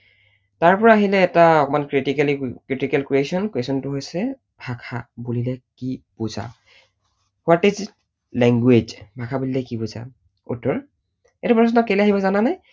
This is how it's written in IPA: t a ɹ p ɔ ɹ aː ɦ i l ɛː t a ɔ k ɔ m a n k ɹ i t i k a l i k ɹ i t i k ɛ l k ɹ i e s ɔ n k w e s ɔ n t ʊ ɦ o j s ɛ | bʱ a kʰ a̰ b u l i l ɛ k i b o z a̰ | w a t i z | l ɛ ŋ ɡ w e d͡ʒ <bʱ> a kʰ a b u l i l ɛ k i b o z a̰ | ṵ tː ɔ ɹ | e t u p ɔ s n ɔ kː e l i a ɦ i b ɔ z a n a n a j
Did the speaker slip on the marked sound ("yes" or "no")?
no